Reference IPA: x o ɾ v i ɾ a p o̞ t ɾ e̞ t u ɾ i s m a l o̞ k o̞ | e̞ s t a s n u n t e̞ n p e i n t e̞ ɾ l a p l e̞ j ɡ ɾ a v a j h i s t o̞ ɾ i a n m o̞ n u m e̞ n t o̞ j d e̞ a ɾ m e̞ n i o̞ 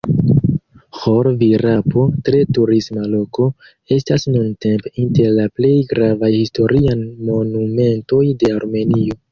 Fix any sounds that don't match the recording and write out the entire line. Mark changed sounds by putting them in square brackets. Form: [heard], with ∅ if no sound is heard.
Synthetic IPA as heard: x o ɾ v i ɾ a p o̞ t ɾ e̞ t u ɾ i s m a l o̞ k o̞ | e̞ s t a s n u n t e̞ [m] p e i n t e̞ ɾ l a p l e̞ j ɡ ɾ a v a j h i s t o̞ ɾ i a n m o̞ n u m e̞ n t o̞ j d e̞ a ɾ m e̞ n i o̞